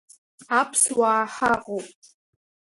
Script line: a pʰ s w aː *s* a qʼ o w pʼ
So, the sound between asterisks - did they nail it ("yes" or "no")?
no